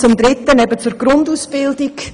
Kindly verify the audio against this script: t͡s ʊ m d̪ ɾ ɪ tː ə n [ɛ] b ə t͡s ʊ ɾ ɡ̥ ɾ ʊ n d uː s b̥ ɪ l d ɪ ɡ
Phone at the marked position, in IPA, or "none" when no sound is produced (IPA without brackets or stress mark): ɛ